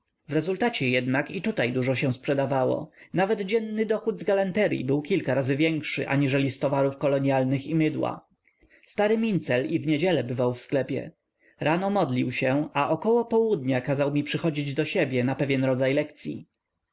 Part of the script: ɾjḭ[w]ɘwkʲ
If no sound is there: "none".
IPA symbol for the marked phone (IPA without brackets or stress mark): b